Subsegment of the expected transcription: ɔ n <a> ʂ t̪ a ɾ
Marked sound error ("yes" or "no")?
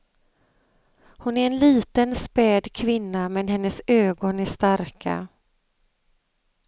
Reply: yes